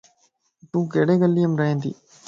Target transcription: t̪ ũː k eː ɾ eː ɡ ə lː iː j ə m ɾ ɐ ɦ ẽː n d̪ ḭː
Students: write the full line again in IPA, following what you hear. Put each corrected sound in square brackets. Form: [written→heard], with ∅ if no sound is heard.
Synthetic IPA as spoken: t̪ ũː k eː [ɾ→ɽ] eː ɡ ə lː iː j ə m ɾ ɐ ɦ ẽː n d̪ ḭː